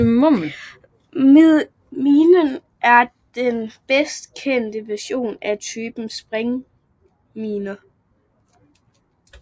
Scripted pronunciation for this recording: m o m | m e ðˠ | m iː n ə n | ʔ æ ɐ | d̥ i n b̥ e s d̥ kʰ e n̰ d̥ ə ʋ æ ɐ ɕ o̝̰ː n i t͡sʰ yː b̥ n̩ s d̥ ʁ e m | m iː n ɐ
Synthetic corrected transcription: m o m | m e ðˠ | m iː n ə n | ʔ æ ɐ | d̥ e n b̥ e s d̥ kʰ e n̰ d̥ ə ʋ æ ɐ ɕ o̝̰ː n æ t͡sʰ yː b̥ n̩ s b̥ ʁ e ŋ | m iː n ɐ